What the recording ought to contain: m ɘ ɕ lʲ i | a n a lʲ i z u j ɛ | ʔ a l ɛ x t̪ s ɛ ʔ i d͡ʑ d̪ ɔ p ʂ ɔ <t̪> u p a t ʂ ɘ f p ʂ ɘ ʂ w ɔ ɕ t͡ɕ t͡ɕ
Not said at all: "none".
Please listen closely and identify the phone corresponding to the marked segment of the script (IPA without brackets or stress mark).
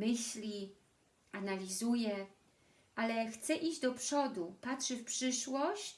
d̪